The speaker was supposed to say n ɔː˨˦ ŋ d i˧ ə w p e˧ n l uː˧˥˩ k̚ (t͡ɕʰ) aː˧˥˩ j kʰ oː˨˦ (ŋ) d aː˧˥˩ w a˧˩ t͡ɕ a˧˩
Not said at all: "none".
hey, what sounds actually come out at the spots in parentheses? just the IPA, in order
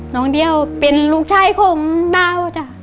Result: t͡ɕʰ, ŋ

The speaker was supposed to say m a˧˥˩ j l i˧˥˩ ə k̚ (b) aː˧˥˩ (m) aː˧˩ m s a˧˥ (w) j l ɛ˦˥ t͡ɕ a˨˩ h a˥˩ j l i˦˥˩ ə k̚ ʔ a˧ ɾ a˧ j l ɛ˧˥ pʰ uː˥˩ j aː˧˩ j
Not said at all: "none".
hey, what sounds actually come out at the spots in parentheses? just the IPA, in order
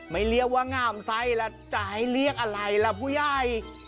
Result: w, ŋ, none

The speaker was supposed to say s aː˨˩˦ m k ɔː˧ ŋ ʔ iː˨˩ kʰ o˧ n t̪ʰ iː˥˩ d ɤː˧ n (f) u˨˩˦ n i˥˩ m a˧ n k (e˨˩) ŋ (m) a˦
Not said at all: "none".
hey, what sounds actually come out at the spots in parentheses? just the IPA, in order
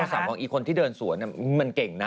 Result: s, e˨˩, n

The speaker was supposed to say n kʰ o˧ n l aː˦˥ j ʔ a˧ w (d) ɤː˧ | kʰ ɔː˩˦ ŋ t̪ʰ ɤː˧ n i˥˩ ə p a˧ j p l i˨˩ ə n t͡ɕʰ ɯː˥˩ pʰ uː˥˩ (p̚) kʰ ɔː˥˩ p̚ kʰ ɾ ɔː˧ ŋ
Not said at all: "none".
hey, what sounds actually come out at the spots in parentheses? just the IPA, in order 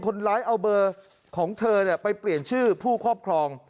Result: b, none

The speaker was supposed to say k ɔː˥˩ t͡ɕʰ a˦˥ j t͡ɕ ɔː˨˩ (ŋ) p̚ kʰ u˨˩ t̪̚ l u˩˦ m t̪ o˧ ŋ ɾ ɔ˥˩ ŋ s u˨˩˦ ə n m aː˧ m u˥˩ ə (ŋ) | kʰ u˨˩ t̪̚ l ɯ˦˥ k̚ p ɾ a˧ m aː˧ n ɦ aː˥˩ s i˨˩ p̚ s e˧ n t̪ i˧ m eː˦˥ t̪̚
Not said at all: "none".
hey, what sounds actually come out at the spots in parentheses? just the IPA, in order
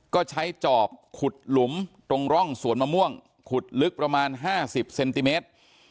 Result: none, ŋ

